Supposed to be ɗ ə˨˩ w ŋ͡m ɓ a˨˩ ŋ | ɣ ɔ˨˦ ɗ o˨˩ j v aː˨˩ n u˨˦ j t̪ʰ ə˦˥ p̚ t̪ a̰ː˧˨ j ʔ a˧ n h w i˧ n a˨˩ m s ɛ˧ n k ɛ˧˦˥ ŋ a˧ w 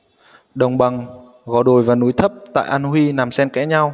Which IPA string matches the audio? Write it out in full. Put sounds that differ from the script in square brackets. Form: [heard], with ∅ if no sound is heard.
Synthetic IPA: ɗ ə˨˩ w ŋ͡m ɓ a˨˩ ŋ | ɣ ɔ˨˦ ɗ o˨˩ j v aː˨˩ n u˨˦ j t̪ʰ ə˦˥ p̚ t̪ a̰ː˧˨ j ʔ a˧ n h w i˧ n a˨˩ m s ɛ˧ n k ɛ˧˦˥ [ɲ] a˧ w